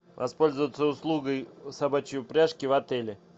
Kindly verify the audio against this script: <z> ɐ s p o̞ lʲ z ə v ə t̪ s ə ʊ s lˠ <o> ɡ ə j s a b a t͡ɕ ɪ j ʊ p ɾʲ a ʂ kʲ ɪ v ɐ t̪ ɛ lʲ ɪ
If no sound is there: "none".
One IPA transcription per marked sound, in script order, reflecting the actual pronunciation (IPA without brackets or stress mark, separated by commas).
v, u